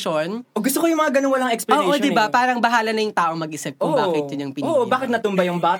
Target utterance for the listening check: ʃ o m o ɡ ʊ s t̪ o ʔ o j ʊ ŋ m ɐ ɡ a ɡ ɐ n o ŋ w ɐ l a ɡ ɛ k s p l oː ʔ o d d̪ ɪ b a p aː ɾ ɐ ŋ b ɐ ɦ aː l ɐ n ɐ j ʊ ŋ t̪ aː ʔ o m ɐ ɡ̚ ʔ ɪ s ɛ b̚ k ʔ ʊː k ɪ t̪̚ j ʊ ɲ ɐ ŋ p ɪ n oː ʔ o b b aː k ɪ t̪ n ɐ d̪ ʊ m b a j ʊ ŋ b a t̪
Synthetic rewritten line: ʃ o n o ɡ ʊ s t̪ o k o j ʊ ŋ m ɐ ŋ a ɡ ɐ n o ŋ w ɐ l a ŋ ɛ k s p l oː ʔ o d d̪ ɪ b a p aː ɾ ɐ ŋ b ɐ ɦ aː l ɐ n ɐ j ʊ ŋ t̪ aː ʔ o m ɐ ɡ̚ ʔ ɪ s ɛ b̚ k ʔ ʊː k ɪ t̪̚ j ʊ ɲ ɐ ŋ p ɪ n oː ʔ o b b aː k ɪ t̪ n ɐ t̪ ʊ m b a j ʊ ŋ b a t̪